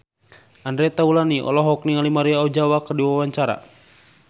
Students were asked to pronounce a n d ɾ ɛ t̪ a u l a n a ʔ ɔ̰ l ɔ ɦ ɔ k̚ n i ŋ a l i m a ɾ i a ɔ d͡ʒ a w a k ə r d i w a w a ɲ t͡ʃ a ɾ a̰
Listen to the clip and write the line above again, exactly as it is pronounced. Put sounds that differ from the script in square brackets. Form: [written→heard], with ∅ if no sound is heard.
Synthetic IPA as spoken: a n d ɾ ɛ t̪ a u l a n [a→i] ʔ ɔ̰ l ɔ ɦ ɔ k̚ n i ŋ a l i m a ɾ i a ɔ d͡ʒ a w a k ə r d i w a w a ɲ t͡ʃ a ɾ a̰